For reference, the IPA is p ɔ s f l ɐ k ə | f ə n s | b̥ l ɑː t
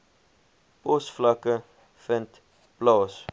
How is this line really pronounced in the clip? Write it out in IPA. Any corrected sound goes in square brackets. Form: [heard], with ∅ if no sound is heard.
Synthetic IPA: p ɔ s f l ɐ k ə | f ə n [t] | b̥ l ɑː [s]